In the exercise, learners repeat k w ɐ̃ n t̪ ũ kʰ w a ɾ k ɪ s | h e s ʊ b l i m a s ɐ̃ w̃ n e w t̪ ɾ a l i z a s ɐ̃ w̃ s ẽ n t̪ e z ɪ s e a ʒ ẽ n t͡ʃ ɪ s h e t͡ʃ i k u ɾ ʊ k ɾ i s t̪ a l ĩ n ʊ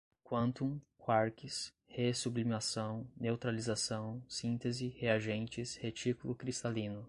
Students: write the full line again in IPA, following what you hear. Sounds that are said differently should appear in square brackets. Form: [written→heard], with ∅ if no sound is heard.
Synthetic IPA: k w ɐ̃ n t̪ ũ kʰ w a ɾ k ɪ s | h e s [ʊ→u] b l i m a s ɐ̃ w̃ n e w t̪ ɾ a l i z a s ɐ̃ w̃ s [ẽ→ĩ] n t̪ e z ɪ [s→h] e a ʒ ẽ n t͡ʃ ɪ s h e t͡ʃ i k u [ɾ→l] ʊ k ɾ i s t̪ a l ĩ n ʊ